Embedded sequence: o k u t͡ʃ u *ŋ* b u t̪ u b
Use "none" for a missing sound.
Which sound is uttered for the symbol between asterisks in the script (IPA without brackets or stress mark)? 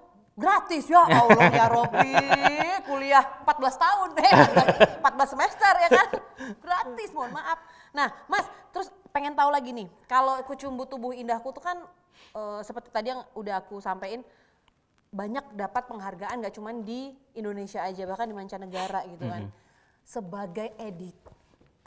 m